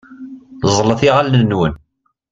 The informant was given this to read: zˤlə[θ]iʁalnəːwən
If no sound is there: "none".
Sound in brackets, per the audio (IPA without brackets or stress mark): θ